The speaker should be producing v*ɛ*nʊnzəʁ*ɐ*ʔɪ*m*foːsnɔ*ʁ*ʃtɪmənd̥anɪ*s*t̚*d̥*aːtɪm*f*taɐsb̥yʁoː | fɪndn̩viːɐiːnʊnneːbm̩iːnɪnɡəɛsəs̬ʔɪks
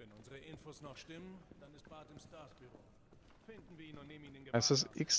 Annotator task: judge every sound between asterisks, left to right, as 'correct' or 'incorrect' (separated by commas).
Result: correct, incorrect, incorrect, incorrect, correct, incorrect, incorrect